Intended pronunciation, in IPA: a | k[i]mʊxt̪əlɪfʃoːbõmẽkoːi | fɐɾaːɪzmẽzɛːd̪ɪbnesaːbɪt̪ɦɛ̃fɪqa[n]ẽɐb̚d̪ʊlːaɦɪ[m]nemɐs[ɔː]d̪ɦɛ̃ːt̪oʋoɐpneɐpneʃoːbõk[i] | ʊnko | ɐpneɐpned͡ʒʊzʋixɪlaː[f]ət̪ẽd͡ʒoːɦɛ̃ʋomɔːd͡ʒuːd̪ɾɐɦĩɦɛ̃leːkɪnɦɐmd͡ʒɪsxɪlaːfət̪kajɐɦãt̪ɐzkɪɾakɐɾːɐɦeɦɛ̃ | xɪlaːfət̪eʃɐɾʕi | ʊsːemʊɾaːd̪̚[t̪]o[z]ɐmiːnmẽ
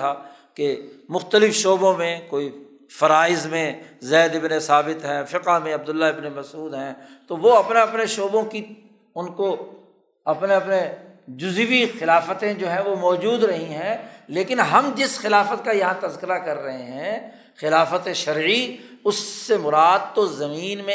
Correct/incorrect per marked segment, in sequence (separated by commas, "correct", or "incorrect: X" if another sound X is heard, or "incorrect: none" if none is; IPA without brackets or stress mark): incorrect: e, incorrect: m, incorrect: b, incorrect: uː, correct, correct, correct, correct